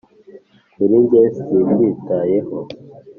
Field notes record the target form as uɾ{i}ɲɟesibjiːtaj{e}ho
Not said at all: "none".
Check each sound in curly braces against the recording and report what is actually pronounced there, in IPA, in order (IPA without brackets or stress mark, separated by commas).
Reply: i, e